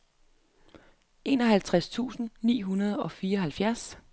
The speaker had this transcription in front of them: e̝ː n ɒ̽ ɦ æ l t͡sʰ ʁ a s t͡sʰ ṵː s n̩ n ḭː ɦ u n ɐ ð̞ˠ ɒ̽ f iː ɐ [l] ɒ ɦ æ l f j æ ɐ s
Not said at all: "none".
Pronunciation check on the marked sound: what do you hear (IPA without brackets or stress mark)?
none